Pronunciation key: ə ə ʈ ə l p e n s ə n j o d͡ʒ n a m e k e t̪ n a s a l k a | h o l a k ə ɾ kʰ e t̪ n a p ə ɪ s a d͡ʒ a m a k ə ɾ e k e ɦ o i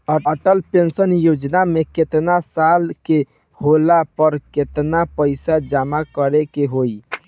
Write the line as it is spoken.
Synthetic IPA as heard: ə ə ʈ ə l p e n s ə n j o d͡ʒ n a m e k e t̪ n a s a l k e | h o l a p ə ɾ k e t̪ n a p ə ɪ s a d͡ʒ a m a k ə ɾ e k e ɦ o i